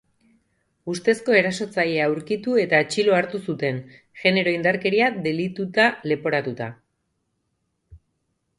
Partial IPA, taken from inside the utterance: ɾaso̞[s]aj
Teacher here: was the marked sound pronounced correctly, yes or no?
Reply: no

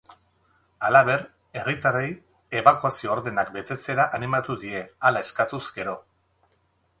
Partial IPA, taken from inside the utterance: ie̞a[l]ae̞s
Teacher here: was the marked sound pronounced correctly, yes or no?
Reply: yes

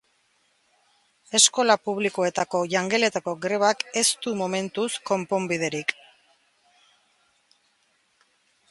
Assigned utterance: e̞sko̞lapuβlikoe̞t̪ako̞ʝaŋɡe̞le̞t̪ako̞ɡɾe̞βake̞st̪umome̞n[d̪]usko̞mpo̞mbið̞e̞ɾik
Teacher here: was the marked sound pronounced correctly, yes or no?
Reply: no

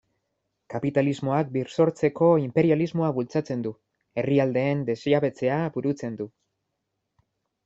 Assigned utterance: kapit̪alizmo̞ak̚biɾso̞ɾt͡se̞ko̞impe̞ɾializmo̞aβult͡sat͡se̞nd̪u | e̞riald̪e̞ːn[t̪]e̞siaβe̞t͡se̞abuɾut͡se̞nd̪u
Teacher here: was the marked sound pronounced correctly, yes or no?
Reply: no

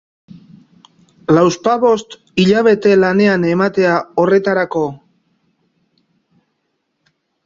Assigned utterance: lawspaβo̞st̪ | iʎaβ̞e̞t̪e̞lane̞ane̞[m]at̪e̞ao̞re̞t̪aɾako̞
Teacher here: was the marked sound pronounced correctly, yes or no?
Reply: yes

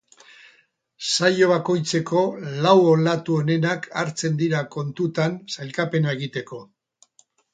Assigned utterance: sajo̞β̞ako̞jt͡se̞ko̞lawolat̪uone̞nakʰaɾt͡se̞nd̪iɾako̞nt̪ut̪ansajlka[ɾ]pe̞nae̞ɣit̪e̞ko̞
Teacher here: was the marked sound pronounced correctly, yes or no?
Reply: no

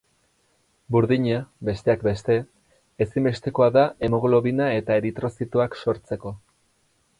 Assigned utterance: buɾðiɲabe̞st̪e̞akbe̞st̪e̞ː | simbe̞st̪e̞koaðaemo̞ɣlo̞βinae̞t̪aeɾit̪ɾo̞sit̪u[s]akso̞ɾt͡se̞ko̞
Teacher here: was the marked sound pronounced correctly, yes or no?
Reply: no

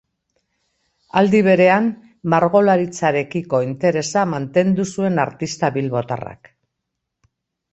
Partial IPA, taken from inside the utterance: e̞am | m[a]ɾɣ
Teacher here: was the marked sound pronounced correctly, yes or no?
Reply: yes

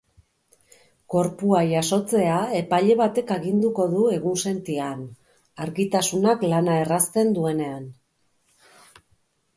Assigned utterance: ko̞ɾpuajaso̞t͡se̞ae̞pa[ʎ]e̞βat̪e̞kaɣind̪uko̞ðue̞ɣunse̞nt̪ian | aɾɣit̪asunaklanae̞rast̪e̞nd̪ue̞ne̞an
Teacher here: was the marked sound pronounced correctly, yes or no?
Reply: yes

